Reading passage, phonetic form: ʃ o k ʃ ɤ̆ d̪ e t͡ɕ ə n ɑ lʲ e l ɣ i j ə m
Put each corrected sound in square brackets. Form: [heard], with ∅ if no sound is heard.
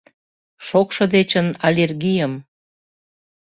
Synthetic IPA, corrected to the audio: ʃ o k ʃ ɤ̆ d̪ e t͡ɕ ə n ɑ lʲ e [r] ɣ i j ə m